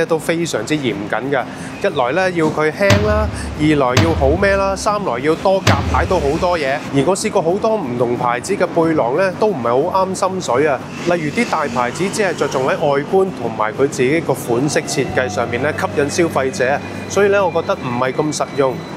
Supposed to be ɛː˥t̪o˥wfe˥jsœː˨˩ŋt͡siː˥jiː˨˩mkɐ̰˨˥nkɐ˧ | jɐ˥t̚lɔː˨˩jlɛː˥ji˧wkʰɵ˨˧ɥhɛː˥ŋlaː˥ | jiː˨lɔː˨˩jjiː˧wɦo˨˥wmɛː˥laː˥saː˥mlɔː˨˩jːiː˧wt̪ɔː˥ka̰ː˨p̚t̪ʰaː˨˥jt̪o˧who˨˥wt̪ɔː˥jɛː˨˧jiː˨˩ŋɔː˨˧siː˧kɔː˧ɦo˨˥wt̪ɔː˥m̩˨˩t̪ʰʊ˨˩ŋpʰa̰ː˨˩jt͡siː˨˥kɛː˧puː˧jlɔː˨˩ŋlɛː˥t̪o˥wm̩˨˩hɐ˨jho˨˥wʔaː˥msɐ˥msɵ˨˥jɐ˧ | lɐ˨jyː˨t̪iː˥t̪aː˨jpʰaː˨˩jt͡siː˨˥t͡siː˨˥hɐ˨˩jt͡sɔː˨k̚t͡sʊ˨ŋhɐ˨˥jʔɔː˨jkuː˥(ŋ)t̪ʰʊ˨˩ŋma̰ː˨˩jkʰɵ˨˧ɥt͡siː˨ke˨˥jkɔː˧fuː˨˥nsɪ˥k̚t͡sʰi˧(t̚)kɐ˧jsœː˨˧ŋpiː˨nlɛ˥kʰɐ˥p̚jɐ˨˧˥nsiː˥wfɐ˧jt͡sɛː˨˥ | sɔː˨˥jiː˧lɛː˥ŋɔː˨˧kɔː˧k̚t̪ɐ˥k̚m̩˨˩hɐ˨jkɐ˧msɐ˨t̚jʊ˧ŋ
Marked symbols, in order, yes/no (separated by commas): no, yes